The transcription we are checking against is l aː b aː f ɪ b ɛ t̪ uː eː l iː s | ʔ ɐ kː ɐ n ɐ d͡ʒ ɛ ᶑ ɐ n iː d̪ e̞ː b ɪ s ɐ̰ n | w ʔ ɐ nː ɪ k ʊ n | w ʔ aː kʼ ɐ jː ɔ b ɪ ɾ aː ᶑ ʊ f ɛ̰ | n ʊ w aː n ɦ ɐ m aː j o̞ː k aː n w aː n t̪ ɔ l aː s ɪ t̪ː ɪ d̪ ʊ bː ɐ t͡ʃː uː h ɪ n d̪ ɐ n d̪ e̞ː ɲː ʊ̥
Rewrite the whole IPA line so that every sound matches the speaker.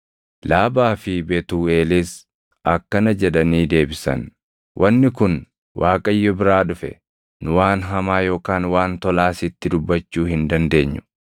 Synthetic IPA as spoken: l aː b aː f ɪ b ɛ t̪ uː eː l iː s | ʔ ɐ kː ɐ n ɐ d͡ʒ ɛ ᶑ ɐ n iː d̪ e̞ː b ɪ s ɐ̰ n | w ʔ ɐ nː ɪ k ʊ n | w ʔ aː kʼ ɐ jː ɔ b ɪ ɾ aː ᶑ ʊ f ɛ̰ | n ʊ w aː n ɦ ɐ m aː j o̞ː k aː n w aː n t̪ ɔ l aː s ɪ t̪ː ɪ d̪ ʊ bː ɐ t͡ʃː uː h ɪ n d̪ ɐ n d̪ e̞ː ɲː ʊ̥